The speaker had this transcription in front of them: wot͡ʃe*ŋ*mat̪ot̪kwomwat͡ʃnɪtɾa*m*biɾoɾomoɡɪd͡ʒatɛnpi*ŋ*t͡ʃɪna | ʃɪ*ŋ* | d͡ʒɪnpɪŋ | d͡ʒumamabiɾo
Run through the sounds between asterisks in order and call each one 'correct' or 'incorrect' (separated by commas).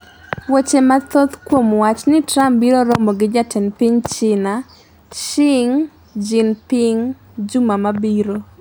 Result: incorrect, correct, incorrect, correct